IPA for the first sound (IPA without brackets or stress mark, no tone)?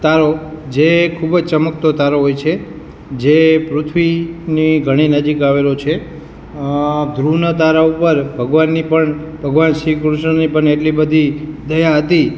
t̪